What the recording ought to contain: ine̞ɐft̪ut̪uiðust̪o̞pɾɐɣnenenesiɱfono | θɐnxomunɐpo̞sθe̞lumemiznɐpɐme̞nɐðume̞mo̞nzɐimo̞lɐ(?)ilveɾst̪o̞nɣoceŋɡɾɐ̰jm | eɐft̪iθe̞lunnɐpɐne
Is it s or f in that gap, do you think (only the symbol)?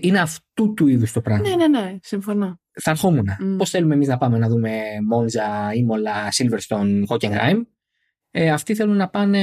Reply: s